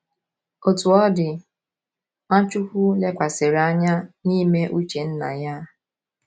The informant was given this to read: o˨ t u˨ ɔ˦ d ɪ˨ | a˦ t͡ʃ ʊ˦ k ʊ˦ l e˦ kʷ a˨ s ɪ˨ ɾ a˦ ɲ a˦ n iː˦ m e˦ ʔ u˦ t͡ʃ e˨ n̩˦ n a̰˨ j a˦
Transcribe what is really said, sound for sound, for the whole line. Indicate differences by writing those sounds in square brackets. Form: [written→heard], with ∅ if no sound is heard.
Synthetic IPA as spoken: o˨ t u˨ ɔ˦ d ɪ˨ | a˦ t͡ʃ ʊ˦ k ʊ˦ l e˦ kʷ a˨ s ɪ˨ ɾ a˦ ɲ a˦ n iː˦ m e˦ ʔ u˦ t͡ʃ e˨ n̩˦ n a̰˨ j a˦